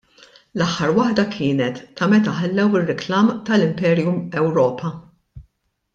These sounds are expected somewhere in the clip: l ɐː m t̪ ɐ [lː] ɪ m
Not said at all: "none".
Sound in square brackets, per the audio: l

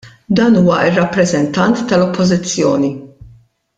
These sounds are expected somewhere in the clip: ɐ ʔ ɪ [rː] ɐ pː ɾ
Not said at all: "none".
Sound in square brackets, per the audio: rː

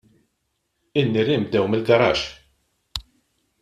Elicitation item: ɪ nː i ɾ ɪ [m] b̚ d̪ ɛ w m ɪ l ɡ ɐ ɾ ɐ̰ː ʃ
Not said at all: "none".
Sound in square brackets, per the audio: m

